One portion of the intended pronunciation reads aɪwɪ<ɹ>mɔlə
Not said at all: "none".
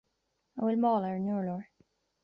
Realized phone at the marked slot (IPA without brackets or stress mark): l